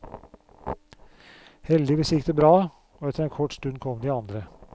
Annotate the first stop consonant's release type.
plain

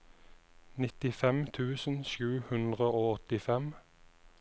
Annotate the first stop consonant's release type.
plain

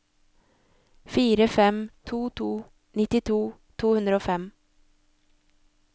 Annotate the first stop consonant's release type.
aspirated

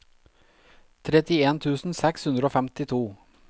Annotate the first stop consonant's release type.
aspirated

